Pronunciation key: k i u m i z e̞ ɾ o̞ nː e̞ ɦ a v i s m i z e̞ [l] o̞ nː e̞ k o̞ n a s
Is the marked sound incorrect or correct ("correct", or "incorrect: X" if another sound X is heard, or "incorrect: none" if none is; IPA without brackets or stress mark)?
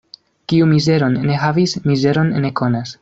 incorrect: ɾ